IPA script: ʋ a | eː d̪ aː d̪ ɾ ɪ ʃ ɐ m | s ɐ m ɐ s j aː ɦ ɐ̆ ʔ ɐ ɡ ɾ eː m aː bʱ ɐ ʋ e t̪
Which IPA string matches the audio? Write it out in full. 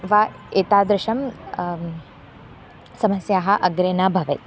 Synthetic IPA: ʋ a | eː t̪ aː d̪ ɾ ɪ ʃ ɐ m | s ɐ m ɐ s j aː ɦ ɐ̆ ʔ ɐ ɡ ɾ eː n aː bʱ ɐ ʋ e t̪